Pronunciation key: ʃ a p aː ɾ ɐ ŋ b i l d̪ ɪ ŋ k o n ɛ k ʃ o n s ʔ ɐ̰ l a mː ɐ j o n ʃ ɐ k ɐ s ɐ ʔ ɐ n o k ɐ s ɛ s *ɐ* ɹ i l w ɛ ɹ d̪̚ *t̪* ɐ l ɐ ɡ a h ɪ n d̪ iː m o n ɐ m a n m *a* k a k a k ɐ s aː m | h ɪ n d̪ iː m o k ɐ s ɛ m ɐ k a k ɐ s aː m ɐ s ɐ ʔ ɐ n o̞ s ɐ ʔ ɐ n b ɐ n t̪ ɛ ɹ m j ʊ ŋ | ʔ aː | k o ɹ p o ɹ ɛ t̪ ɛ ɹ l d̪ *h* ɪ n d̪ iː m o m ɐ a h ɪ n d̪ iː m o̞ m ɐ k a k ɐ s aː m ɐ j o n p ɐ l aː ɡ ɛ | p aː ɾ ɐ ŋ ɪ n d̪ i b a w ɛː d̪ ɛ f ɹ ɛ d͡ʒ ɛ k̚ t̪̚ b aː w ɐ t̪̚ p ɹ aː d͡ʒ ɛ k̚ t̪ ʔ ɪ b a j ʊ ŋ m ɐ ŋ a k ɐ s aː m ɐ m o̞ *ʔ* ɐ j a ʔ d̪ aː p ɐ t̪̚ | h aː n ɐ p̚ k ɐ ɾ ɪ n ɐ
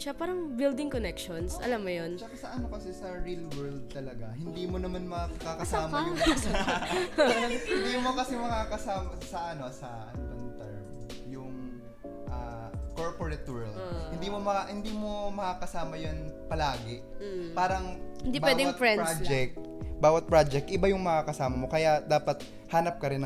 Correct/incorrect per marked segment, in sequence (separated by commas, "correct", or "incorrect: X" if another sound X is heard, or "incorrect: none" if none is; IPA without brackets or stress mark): correct, correct, incorrect: ɐ, correct, incorrect: k